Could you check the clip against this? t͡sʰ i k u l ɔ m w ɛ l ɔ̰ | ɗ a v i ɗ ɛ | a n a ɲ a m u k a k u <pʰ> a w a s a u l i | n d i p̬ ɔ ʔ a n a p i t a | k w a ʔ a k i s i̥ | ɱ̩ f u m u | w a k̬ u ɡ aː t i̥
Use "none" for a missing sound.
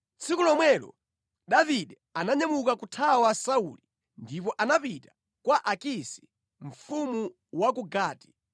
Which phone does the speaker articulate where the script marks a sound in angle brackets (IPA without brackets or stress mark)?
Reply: tʰ